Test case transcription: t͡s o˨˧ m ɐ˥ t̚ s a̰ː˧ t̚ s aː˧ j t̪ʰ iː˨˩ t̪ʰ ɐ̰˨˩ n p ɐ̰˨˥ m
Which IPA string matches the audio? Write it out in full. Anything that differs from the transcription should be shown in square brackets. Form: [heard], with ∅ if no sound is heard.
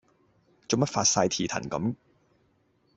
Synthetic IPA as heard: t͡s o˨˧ m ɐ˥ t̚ [f] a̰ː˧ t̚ s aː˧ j t̪ʰ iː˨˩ t̪ʰ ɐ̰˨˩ n [k] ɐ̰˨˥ m